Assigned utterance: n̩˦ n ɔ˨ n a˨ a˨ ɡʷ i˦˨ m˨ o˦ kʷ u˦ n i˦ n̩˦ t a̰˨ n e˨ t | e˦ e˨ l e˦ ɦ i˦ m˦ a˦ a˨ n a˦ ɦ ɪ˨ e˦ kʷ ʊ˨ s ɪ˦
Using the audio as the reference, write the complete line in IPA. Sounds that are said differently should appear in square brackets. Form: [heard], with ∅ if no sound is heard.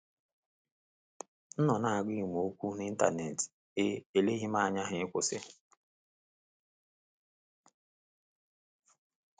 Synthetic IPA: n̩˦ n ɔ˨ n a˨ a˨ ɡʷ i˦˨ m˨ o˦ kʷ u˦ n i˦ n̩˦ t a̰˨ n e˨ t | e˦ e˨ l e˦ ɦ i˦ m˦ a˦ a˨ [ɲ] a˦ ɦ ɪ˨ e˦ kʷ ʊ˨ s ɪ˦

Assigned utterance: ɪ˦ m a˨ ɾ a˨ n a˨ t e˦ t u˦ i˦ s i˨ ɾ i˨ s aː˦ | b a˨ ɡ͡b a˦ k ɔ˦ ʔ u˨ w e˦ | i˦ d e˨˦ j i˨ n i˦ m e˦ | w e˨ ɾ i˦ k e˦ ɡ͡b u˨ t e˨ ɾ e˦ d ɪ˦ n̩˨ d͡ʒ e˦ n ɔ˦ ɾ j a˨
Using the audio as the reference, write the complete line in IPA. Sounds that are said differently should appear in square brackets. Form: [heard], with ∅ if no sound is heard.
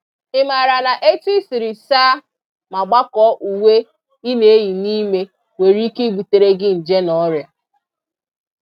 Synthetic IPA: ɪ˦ m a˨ ɾ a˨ n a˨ [ʔ] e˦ t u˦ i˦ s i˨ ɾ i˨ s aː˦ | [m] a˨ ɡ͡b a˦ k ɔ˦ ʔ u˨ w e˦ | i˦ [n] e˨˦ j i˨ n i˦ m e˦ | w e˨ ɾ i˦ k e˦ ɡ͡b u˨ t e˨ ɾ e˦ [ɡ] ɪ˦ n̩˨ d͡ʒ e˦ n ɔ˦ ɾ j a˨

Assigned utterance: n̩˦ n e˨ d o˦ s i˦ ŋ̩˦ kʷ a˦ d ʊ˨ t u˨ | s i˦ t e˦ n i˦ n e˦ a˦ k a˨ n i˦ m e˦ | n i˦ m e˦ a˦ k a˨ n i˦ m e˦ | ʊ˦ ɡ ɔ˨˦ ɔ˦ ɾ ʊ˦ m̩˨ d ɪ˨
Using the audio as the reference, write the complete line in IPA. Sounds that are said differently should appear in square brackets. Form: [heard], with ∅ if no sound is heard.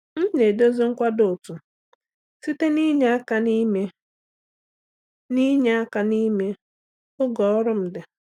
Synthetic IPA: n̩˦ n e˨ d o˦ [z] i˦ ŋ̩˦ kʷ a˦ d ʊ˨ t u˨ | s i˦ t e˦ n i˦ [ɲ] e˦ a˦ k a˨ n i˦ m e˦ | n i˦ [ɲ] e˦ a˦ k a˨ n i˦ m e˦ | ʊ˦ ɡ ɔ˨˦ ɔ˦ ɾ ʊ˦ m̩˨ d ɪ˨

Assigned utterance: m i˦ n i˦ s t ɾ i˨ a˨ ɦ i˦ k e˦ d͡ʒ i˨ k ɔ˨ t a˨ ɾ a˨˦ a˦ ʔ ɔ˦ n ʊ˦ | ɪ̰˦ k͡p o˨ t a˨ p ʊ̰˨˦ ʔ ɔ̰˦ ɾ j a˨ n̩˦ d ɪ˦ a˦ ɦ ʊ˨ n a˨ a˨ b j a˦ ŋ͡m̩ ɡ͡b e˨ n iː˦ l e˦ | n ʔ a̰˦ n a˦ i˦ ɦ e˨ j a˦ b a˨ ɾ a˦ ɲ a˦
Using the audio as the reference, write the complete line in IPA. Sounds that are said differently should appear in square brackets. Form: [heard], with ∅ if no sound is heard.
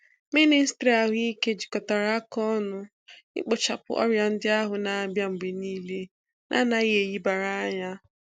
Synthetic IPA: m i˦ n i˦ s t ɾ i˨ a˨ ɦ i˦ k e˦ d͡ʒ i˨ k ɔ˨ t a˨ ɾ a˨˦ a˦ [k] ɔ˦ n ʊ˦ | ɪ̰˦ k͡p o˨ [t͡ʃ] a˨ p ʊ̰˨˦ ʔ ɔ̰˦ ɾ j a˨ n̩˦ d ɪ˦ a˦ ɦ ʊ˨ n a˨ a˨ b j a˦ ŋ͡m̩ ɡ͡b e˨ n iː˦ l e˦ | n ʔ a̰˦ n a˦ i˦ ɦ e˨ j [i˦] b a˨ ɾ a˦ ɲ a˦

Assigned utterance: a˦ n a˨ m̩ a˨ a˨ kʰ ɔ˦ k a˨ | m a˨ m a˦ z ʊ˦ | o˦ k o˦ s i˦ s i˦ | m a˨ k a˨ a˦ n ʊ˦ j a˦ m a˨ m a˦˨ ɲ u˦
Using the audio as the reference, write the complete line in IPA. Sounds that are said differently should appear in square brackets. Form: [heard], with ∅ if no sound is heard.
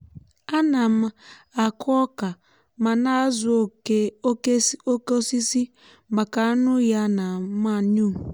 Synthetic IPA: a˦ n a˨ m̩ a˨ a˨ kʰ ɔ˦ k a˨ | m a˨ [n] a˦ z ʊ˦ | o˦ k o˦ s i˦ s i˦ | m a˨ k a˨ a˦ n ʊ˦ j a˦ [n] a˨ m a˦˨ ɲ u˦

